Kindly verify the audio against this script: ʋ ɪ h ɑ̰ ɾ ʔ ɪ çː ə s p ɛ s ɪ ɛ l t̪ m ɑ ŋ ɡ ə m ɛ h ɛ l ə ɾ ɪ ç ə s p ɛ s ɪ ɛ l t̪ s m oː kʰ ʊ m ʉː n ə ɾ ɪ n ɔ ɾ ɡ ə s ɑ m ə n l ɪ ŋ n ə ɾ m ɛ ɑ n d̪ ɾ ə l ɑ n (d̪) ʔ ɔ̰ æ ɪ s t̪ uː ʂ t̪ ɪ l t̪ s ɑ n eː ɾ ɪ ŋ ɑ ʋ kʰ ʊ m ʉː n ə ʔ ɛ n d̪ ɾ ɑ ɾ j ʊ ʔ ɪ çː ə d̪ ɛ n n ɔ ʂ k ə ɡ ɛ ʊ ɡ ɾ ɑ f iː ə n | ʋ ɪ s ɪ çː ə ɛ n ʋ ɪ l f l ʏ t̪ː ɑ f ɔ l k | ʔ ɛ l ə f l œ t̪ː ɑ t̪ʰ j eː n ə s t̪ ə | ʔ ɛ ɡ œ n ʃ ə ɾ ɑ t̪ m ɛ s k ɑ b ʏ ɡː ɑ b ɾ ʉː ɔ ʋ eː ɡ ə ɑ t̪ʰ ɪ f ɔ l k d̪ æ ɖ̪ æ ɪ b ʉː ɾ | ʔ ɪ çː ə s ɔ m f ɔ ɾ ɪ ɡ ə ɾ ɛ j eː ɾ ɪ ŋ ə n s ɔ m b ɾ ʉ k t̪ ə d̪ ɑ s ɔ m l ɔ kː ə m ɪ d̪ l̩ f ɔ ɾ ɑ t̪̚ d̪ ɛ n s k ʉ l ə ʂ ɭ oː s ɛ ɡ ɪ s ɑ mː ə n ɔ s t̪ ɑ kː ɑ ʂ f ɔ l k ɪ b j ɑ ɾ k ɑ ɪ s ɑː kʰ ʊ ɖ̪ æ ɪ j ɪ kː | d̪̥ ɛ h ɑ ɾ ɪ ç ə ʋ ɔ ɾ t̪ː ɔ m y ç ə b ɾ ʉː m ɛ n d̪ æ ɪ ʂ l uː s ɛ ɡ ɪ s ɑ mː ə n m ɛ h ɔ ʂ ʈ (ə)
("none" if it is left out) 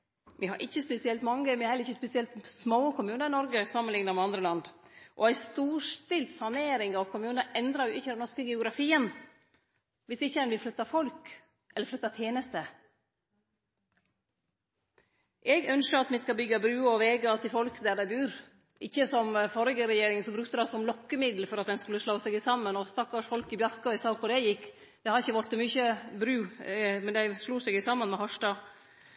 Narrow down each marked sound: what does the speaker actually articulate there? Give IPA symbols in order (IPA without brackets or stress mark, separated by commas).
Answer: d̪, ɑ